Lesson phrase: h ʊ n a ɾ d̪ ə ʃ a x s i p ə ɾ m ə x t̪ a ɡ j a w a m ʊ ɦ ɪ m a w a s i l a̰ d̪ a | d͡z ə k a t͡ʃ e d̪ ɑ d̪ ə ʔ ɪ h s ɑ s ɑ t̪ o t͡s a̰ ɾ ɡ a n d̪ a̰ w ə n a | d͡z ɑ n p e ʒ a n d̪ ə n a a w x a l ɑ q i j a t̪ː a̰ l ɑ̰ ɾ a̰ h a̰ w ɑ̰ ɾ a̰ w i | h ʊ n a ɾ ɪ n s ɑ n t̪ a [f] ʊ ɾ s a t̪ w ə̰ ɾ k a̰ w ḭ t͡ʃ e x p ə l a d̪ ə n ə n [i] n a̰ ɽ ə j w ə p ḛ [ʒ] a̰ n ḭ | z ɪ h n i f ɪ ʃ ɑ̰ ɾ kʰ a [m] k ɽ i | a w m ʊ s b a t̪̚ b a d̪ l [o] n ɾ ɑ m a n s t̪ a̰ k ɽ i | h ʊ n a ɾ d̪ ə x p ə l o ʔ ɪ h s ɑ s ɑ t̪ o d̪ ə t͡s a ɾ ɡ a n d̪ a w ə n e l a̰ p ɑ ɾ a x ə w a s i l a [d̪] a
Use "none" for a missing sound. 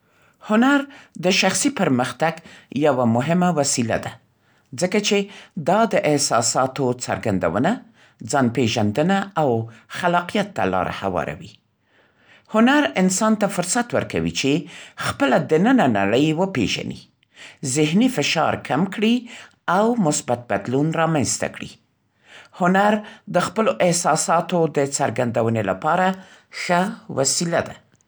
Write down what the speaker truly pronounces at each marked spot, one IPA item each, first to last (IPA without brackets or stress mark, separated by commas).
f, a, ʒ, m, u, d̪